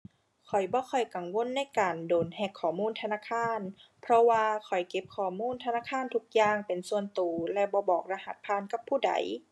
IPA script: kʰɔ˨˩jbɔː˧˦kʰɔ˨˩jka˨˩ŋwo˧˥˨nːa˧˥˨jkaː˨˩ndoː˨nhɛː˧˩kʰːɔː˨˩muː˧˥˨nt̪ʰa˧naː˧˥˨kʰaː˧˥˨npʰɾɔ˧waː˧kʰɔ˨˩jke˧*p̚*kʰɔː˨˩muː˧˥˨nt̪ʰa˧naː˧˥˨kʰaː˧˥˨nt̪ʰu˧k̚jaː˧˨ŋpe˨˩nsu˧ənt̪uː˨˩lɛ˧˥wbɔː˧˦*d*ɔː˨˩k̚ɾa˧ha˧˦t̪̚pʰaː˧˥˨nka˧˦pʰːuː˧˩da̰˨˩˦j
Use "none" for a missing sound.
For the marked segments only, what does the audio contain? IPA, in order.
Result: p̚, b

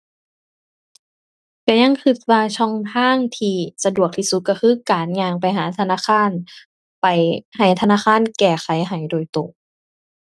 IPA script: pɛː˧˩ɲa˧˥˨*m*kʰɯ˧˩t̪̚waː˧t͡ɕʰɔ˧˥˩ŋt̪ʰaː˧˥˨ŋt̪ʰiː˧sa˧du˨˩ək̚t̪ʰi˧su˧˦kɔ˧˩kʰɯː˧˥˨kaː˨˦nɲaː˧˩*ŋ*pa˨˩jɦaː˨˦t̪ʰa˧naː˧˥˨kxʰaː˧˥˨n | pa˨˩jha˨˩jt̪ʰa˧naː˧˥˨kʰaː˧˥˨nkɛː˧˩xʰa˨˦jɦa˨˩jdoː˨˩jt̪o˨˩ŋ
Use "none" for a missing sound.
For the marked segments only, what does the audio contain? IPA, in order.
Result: ŋ, ŋ

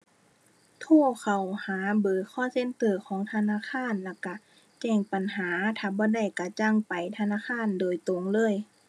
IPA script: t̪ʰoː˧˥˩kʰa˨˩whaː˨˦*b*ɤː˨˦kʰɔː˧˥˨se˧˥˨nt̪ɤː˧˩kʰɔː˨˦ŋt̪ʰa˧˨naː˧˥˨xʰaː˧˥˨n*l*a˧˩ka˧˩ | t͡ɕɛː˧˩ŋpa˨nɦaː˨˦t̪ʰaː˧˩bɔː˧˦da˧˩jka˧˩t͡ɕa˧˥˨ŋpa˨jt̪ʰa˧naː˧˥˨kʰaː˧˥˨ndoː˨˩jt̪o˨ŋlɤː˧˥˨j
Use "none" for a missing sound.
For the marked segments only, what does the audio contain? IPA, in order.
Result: b, l

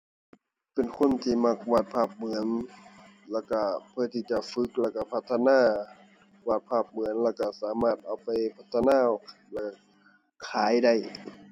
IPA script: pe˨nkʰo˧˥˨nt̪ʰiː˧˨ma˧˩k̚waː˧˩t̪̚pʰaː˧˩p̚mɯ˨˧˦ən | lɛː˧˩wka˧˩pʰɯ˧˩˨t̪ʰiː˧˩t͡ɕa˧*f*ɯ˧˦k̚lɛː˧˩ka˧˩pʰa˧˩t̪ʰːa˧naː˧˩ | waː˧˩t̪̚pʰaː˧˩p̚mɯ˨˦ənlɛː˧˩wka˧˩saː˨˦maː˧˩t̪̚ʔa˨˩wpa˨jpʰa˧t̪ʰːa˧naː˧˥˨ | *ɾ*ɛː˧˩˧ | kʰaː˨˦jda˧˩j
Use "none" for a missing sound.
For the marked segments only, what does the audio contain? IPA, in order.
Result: f, l

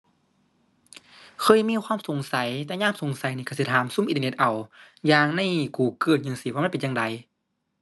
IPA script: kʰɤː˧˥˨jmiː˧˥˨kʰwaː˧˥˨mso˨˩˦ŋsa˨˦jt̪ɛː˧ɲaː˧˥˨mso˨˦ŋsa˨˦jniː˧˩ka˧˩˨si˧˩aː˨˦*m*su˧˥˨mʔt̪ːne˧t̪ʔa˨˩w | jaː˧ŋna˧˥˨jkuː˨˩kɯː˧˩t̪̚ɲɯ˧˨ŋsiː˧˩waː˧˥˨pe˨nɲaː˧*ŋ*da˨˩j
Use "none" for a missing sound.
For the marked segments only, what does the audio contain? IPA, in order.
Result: m, ŋ

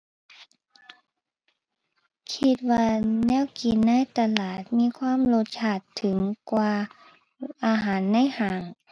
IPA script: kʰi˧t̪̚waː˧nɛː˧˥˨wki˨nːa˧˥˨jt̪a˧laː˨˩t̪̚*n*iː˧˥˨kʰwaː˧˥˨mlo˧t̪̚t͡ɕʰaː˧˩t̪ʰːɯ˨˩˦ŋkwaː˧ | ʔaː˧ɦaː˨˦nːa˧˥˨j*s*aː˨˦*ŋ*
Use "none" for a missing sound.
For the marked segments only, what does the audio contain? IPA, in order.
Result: m, h, ŋ

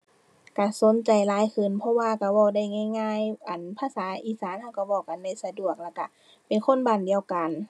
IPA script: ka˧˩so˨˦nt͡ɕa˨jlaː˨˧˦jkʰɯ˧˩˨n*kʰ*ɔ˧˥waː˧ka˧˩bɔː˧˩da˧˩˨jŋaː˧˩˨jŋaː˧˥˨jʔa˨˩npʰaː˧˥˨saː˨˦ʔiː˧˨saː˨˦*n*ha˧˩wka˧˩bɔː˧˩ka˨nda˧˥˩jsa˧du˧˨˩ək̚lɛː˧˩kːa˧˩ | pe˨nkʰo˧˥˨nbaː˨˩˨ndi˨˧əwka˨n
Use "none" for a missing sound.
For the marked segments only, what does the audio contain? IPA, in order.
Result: pʰ, n

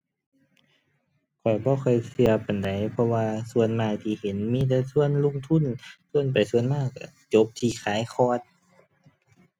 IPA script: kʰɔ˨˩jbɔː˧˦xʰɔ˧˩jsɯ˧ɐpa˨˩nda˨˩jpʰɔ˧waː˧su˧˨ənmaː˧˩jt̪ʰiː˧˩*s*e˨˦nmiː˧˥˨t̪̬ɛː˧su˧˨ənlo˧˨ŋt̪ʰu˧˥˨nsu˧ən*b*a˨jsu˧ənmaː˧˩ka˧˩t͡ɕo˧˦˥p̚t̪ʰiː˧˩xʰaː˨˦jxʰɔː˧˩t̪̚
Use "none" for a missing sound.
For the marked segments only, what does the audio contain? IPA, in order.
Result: h, p

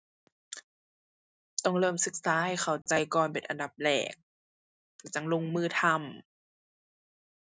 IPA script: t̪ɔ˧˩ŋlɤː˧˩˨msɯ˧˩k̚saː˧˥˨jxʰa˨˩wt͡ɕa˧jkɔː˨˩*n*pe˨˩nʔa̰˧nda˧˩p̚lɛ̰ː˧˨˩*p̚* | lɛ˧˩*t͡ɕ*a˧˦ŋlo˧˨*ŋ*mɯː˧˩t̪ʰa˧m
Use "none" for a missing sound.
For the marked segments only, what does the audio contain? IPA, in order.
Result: n, k̚, t͡ɕ, ŋ

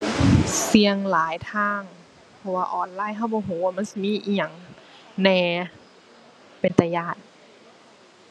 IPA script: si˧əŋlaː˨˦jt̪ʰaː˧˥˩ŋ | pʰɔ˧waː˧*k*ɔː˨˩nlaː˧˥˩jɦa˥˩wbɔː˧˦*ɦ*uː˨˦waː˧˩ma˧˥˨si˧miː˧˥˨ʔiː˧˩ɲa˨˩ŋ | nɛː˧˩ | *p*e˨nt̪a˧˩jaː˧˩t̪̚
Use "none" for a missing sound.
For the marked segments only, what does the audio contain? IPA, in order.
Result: ʔ, ɦ, p

